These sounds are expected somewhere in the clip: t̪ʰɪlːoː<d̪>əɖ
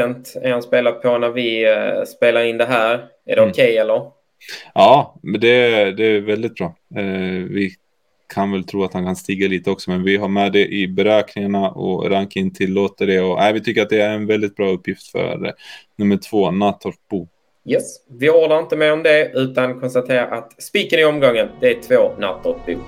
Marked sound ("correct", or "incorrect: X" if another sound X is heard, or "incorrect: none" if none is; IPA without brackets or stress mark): incorrect: t̪